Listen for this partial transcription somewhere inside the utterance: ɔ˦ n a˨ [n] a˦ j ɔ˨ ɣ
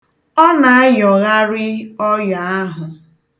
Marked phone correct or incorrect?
incorrect